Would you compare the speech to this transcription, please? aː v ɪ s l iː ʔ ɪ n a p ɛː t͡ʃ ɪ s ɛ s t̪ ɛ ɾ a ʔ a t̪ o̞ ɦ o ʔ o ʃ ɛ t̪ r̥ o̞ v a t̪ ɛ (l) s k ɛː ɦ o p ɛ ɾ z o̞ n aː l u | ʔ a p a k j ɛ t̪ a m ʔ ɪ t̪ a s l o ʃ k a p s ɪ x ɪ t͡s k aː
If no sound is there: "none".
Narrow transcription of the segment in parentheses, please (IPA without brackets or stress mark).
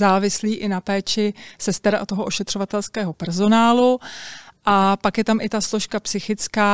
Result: l